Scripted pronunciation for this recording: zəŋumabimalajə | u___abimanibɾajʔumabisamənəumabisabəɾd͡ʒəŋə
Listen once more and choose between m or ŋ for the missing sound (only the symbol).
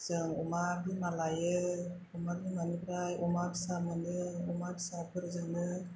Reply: m